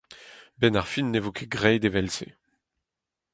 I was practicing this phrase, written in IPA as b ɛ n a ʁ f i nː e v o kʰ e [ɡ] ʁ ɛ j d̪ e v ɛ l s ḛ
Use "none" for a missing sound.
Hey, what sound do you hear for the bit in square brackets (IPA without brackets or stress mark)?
ɡ